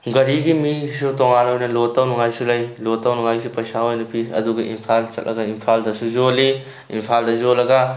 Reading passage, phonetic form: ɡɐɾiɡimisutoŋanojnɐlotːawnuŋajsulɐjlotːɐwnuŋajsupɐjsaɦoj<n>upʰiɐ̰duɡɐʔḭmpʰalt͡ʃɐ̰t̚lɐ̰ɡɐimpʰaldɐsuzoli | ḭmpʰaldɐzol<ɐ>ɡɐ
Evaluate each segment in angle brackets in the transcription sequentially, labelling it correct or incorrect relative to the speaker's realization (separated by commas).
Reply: correct, correct